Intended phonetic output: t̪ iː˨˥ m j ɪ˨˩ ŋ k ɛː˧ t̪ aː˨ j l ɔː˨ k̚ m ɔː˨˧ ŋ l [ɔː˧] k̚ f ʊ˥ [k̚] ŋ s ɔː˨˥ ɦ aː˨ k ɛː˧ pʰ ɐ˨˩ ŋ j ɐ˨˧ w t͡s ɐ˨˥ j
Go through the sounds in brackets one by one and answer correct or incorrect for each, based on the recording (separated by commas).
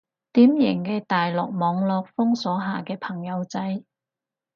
correct, incorrect